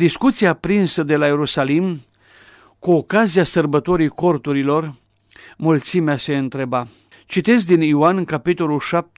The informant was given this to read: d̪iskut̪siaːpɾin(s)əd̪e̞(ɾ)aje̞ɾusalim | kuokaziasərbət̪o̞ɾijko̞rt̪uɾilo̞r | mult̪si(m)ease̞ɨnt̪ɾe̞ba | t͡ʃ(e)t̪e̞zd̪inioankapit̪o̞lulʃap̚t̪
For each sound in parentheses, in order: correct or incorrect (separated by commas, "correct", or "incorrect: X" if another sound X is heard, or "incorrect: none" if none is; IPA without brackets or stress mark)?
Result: correct, incorrect: l, correct, incorrect: i